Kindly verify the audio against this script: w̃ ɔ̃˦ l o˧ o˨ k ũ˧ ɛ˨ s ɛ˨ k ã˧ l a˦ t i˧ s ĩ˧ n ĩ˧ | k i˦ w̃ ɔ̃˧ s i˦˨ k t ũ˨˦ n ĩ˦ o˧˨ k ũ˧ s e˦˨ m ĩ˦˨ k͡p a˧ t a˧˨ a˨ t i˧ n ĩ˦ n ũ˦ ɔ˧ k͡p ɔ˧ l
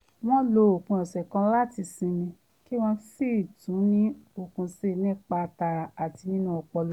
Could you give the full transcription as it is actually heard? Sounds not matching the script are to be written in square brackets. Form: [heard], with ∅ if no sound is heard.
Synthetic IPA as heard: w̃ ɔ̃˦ l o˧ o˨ k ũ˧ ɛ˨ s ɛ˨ k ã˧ l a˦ t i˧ s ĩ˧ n ĩ˧ | k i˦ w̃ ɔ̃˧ s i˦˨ [∅] t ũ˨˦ n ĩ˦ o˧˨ k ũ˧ s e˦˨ [n] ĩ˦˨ k͡p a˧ t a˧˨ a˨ t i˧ n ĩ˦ n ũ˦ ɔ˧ k͡p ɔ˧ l